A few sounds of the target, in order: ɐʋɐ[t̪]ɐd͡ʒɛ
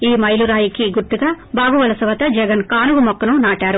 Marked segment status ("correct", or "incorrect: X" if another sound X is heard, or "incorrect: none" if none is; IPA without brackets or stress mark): correct